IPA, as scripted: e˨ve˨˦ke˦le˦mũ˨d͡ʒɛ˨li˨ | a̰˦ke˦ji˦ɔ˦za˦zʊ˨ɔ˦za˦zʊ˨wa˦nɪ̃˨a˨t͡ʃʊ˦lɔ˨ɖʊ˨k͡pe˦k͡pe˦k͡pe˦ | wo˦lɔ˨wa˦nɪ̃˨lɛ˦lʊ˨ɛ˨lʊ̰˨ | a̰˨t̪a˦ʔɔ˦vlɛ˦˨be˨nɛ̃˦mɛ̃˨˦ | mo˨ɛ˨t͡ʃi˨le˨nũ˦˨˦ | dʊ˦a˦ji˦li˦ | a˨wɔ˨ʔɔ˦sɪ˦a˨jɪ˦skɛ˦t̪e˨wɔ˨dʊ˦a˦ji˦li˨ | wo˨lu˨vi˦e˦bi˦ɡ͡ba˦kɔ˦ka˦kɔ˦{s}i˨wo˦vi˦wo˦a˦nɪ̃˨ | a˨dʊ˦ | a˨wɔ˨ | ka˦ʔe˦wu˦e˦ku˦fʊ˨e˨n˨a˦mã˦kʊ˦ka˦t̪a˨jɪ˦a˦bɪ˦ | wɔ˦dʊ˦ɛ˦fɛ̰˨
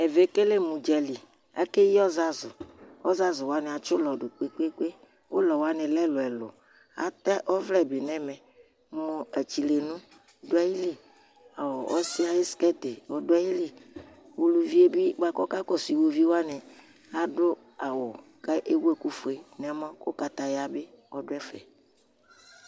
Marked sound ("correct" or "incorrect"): correct